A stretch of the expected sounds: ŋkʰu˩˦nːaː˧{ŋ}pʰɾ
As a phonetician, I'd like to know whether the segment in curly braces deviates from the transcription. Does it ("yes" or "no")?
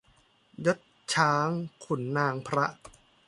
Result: no